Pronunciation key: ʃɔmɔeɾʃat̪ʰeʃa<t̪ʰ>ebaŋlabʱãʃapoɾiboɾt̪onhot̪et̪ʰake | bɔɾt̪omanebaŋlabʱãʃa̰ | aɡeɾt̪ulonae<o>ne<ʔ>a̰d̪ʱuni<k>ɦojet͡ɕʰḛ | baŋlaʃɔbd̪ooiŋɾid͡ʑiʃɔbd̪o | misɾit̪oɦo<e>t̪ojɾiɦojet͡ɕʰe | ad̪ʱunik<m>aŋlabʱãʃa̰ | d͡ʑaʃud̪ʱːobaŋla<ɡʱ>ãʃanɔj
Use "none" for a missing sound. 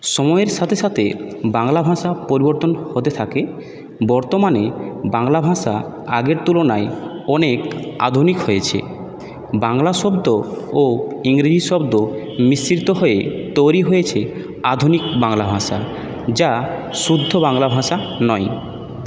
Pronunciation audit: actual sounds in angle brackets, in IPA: t̪ʰ, ɔ, k, k, e, b, bʱ

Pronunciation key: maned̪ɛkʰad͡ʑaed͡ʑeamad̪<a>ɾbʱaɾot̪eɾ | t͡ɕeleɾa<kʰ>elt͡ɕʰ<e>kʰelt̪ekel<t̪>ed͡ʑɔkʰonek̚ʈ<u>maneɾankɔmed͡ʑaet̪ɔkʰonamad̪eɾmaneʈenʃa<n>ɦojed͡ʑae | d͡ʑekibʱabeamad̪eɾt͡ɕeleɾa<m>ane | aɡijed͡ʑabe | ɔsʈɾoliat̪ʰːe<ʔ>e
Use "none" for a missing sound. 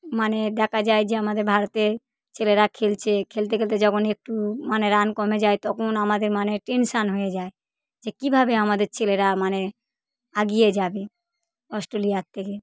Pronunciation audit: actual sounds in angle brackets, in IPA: e, kʰ, e, t̪, u, n, m, k

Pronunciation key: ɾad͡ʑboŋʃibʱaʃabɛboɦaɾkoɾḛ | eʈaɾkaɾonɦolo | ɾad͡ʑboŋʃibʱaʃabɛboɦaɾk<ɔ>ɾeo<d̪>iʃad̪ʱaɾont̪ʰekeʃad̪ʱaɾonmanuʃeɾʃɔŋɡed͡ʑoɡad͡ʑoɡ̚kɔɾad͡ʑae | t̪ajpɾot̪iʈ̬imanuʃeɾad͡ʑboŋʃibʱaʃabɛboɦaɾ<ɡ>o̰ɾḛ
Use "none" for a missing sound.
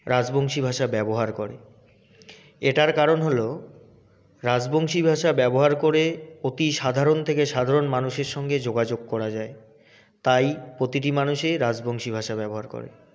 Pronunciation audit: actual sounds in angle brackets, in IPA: o, t̪, k

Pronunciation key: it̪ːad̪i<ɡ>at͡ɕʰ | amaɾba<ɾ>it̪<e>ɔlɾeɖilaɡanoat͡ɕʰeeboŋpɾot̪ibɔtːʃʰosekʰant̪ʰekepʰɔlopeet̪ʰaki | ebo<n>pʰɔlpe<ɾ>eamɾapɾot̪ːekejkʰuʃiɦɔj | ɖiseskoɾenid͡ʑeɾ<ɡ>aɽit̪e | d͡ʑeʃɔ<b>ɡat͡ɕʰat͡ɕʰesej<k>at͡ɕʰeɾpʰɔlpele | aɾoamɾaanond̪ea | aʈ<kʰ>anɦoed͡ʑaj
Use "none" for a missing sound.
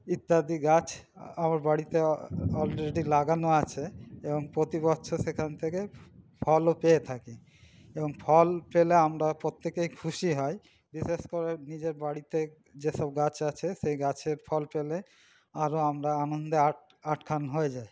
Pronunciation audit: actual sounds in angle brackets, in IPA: ɡ, ɽ, e, ŋ, l, b, b, ɡ, kʰ

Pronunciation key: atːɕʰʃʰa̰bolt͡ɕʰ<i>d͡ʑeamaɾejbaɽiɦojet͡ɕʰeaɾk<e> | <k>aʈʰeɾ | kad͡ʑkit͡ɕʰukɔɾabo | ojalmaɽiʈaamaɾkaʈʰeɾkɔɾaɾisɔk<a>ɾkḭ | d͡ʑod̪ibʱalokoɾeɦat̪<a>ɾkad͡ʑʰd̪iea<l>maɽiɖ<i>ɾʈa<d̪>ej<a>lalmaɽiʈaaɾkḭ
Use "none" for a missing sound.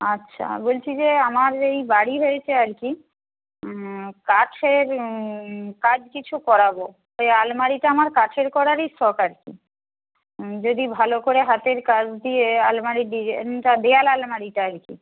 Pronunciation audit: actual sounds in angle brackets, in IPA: i, i, k, a, e, l, i, d̪, a

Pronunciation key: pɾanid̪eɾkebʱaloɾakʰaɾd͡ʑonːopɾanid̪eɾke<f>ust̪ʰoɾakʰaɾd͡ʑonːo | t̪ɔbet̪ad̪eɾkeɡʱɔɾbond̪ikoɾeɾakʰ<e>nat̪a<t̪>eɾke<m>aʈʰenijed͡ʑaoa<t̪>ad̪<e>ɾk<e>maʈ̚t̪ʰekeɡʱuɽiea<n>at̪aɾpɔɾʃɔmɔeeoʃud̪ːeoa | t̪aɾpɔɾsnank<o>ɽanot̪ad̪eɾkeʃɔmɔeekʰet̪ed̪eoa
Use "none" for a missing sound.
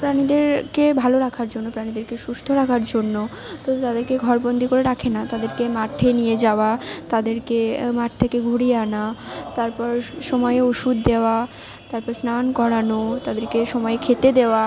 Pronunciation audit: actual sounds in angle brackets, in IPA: ʃ, e, d̪, m, t̪, e, e, n, ɔ

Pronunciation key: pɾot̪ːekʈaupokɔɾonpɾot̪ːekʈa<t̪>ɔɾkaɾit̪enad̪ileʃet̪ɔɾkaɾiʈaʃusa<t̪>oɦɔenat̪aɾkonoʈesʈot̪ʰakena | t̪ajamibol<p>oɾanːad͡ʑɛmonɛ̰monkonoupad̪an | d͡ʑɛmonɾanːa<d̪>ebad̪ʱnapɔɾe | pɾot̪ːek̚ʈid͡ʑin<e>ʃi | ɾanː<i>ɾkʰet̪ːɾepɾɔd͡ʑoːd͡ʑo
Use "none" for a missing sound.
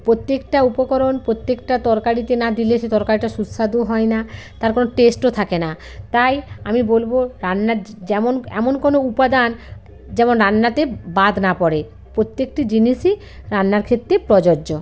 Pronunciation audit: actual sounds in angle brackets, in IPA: t̪, d̪, b, t̪, i, a

